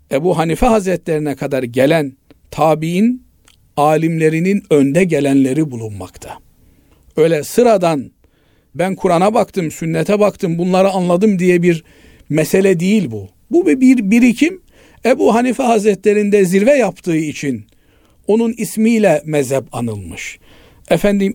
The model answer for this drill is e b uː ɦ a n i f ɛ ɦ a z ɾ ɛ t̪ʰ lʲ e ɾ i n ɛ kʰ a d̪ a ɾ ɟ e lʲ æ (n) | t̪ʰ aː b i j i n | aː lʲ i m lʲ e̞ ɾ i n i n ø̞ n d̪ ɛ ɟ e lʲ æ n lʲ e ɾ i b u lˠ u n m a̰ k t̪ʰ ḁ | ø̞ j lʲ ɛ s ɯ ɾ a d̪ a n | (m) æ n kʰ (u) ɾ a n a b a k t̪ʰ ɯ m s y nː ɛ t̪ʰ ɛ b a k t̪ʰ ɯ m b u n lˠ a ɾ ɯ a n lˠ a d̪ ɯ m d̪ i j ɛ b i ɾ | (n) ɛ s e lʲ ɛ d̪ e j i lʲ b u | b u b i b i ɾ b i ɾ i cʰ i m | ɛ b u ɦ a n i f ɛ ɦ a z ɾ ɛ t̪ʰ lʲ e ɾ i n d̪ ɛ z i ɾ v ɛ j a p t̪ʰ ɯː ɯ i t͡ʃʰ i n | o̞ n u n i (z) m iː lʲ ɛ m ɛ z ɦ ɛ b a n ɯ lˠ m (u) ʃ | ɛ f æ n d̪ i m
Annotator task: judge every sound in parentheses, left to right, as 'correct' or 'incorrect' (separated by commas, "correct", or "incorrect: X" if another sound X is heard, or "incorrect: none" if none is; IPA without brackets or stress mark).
correct, incorrect: b, correct, incorrect: m, incorrect: s, incorrect: ɯ